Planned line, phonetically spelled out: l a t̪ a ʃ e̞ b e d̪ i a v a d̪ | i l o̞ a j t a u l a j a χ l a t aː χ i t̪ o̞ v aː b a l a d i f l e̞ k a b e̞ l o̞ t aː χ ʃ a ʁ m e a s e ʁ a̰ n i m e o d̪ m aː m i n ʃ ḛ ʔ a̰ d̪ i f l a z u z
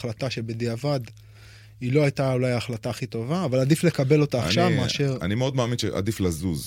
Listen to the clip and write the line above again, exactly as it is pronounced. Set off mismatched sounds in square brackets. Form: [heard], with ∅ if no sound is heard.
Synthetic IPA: l a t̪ a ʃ e̞ b e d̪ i a v a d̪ | i l o̞ a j t a u l a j a χ l a t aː χ i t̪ o̞ v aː [v] a l a d i f l e̞ k a b e̞ l o̞ t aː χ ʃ a [v] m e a [ʃ] e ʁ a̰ n i m e o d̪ m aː m i n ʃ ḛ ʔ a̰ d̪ i f l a z u z